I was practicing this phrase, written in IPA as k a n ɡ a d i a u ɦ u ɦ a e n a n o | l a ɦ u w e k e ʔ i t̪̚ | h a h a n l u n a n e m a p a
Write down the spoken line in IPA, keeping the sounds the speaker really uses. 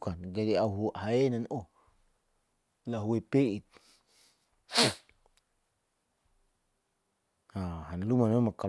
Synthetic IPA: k a n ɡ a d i a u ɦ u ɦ a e n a n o | l a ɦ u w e p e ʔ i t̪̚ | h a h a n l u m a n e m a k a